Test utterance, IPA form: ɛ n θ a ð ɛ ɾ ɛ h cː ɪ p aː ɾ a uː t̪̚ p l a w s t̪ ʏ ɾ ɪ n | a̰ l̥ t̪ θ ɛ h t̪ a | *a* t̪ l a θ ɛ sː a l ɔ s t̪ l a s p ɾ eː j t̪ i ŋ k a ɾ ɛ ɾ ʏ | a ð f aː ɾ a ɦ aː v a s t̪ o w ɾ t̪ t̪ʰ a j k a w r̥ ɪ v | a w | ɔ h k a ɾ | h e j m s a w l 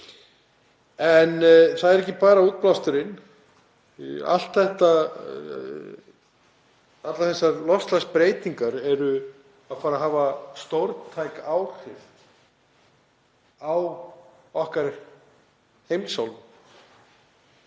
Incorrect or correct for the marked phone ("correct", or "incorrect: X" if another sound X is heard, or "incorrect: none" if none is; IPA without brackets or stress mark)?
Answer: correct